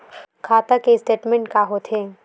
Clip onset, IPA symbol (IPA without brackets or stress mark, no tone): kʰ